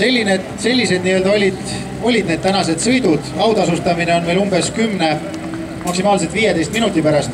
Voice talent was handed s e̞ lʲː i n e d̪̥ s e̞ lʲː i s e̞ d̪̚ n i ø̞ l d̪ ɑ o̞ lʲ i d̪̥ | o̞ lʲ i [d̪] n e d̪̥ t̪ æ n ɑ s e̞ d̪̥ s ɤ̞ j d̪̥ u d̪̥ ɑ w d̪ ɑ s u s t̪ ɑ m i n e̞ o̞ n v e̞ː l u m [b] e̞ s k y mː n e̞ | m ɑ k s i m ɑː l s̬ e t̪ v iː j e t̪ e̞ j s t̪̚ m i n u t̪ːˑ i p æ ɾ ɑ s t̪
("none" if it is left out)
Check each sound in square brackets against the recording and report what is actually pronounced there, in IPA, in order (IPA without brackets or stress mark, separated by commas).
d̪, b